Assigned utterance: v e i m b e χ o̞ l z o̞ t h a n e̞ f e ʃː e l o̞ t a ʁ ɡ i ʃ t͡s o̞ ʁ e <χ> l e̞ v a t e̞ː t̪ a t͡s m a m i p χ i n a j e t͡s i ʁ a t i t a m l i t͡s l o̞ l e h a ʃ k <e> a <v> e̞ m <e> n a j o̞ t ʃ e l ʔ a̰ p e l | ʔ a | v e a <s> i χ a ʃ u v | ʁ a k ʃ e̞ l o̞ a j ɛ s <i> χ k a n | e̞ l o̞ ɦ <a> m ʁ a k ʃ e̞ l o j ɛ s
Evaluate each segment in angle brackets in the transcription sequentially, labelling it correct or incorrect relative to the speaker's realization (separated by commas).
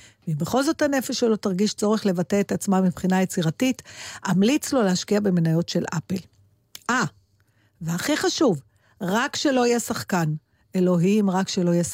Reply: correct, incorrect, incorrect, correct, incorrect, incorrect, incorrect